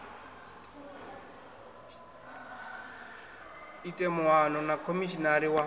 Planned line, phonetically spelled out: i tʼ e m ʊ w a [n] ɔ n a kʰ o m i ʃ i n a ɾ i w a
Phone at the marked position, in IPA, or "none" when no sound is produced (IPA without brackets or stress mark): n